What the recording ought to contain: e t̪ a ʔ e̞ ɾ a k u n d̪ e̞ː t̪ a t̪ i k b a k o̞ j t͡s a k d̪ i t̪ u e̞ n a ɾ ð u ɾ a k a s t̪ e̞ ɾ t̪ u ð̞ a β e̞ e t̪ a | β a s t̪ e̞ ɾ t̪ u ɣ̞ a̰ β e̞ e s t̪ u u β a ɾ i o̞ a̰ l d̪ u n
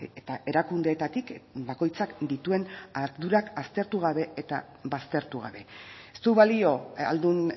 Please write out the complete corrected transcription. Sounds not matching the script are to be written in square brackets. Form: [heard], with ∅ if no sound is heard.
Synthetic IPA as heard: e t̪ a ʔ e̞ ɾ a k u n d̪ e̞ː t̪ a t̪ i k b a k o̞ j t͡s a k d̪ i t̪ u e̞ n a ɾ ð u ɾ a k a s t̪ e̞ ɾ t̪ u [ɣ̞] a β e̞ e t̪ a | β a s t̪ e̞ ɾ t̪ u ɣ̞ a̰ β e̞ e s t̪ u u β a [l] i o̞ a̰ l d̪ u n

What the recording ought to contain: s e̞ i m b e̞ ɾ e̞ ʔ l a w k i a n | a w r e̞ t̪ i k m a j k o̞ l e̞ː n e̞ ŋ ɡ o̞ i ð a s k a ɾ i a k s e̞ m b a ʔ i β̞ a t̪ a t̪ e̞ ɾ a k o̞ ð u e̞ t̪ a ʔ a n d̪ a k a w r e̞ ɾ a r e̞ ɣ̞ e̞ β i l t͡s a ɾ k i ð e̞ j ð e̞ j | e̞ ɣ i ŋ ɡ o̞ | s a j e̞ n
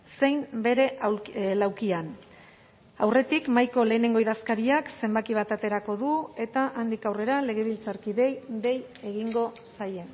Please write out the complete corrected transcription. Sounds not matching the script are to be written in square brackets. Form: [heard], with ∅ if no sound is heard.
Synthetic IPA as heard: s e̞ [j] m b e̞ ɾ e̞ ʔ l a w k i a n | a w r e̞ t̪ i k m a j k o̞ l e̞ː n e̞ ŋ ɡ o̞ i ð a s k a ɾ i a k s e̞ m b a [k] i β̞ a t̪ a t̪ e̞ ɾ a k o̞ ð u e̞ t̪ a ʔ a n d̪ [i] k a w r e̞ ɾ a [l] e̞ ɣ̞ e̞ β i l t͡s a ɾ k i ð e̞ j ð e̞ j | e̞ ɣ i ŋ ɡ o̞ | s a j e̞ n

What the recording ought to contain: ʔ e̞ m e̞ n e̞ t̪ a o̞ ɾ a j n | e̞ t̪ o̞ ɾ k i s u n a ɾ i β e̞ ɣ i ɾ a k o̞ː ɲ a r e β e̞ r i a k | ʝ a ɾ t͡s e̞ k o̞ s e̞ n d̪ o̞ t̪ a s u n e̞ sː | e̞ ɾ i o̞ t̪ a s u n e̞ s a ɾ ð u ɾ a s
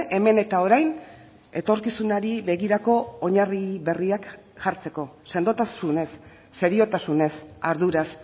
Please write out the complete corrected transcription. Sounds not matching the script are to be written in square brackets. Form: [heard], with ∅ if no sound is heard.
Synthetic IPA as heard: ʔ e̞ m e̞ n e̞ t̪ a o̞ ɾ a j n | e̞ t̪ o̞ ɾ k i s u n a ɾ i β e̞ ɣ i ɾ a k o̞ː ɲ a r [i] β e̞ r i a k | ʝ a ɾ t͡s e̞ k o̞ s e̞ n d̪ o̞ t̪ a s u n e̞ sː | e̞ ɾ i o̞ t̪ a s u n e̞ s a ɾ ð u ɾ a s

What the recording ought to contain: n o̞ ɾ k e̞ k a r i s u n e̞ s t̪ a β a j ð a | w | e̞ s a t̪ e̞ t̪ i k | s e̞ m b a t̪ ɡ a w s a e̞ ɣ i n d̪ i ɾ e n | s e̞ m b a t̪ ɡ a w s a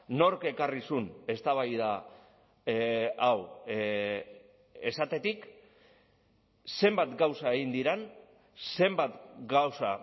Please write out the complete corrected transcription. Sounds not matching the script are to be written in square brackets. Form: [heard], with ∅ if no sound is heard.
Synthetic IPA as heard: n o̞ ɾ k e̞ k a r i s u n e̞ s t̪ a β a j ð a | w | e̞ s a t̪ e̞ t̪ i k | s e̞ m b a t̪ ɡ a w s a e̞ ɣ i n d̪ i ɾ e n | s e̞ m b a t̪ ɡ a w s a

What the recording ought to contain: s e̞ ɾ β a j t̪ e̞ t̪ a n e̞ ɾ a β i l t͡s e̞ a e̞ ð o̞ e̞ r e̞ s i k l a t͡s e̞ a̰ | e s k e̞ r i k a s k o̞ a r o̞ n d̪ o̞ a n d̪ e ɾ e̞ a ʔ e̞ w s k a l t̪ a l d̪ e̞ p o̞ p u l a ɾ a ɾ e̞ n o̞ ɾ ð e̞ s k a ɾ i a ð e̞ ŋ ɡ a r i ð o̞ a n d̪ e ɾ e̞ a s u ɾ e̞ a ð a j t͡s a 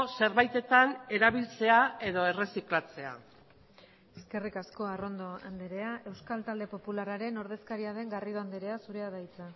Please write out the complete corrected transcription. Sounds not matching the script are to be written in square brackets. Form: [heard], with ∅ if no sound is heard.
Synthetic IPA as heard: s e̞ ɾ β a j t̪ e̞ t̪ a n e̞ ɾ a β i l t͡s e̞ a e̞ ð o̞ e̞ r e̞ s i k l a t͡s e̞ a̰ | e s k e̞ r i k a s k o̞ a r o̞ n d̪ o̞ a n d̪ e ɾ e̞ a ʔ e̞ w s k a l t̪ a l d̪ e̞ p o̞ p u l a ɾ a ɾ e̞ n o̞ ɾ ð e̞ s k a ɾ i a ð e̞ ŋ ɡ a r i ð o̞ a n d̪ e ɾ e̞ a s u ɾ e̞ a ð a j t͡s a

